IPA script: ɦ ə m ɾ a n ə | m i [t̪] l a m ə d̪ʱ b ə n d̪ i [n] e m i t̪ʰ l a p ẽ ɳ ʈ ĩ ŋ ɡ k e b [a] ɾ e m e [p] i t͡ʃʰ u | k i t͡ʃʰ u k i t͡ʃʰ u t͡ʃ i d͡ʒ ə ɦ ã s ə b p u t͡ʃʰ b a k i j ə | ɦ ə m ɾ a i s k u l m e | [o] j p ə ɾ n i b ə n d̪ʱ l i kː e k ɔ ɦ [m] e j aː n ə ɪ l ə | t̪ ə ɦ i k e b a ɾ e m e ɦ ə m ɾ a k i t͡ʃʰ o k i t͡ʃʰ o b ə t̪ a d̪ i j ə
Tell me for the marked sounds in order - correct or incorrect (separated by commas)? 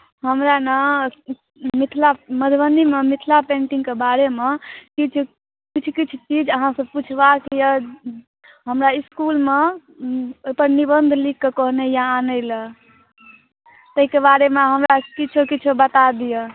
incorrect, incorrect, correct, incorrect, correct, incorrect